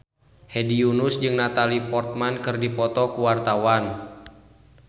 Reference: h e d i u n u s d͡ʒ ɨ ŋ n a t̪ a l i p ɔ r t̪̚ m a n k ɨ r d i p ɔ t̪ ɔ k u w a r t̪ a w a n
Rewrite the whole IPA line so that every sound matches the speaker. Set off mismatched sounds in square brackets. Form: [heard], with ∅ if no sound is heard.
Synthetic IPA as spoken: h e d i u n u s d͡ʒ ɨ ŋ n a t̪ a l i p ɔ r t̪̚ m a n k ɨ r d i p ɔ t̪ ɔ k u w a r t̪ a w a n